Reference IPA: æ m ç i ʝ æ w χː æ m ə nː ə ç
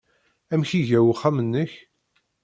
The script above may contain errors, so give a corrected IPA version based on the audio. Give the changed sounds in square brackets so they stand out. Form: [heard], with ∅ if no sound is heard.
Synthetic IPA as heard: æ m ç i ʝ æ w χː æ m ə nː ə ç